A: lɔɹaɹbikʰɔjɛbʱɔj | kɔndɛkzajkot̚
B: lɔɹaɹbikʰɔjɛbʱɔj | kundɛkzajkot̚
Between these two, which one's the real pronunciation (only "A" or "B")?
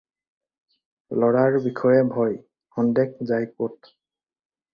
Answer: A